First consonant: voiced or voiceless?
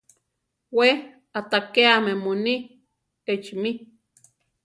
voiced